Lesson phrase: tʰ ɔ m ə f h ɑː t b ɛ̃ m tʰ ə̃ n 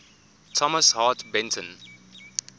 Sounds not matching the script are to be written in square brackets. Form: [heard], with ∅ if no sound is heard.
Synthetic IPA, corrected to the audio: tʰ ɔ m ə [s] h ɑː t b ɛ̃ [n] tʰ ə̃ n